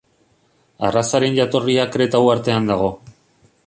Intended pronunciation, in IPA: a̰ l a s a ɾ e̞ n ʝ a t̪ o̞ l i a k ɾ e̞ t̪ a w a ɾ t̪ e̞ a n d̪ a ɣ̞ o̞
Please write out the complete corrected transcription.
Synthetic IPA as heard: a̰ r a s a ɾ e̞ n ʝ a t̪ o̞ r i a k ɾ e̞ t̪ a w a ɾ t̪ e̞ a n d̪ a ɣ̞ o̞